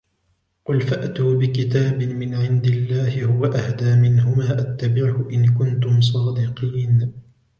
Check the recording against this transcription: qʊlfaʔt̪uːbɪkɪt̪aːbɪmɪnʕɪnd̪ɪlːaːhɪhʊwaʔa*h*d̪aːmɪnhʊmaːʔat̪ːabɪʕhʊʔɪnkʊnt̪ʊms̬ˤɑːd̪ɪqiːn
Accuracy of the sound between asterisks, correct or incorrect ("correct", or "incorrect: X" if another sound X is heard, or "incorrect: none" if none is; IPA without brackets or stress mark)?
correct